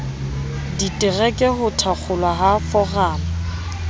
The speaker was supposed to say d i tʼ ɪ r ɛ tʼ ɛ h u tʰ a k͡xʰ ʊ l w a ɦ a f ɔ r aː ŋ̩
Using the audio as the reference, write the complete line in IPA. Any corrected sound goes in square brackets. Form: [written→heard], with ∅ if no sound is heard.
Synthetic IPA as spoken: d i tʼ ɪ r ɛ [tʼ→kʼ] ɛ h [u→ʊ] tʰ a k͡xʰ ʊ l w a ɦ a f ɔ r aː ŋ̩